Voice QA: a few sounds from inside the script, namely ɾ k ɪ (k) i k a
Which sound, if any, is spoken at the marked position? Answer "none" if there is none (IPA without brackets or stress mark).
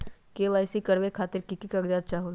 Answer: k